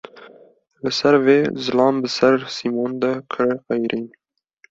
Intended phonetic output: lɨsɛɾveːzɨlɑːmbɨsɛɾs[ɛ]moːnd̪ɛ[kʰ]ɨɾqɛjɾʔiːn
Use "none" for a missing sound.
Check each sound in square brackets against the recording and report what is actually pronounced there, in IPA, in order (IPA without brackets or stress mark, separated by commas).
i, kʰ